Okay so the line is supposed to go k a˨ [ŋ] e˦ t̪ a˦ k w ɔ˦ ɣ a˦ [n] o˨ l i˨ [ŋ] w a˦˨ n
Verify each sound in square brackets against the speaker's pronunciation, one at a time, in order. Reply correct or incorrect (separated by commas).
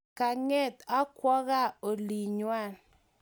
correct, incorrect, incorrect